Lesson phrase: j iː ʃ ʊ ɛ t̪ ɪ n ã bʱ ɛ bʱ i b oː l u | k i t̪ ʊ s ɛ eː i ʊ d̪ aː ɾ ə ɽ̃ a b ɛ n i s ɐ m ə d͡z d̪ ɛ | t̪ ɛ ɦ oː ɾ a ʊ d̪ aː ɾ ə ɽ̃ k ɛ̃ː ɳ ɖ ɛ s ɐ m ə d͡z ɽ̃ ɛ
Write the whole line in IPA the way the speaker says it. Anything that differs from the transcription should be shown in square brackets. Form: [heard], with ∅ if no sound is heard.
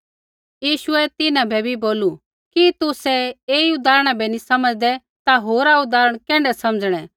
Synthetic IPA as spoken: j iː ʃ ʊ ɛ t̪ ɪ n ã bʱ ɛ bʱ i b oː l u | k i t̪ ʊ s ɛ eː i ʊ d̪ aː ɾ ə ɽ̃ a b ɛ n i s ɐ m ə d͡z d̪ ɛ | t̪ [a] ɦ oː ɾ a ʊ d̪ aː ɾ ə ɽ̃ k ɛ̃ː ɳ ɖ ɛ s ɐ m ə d͡z ɽ̃ ɛ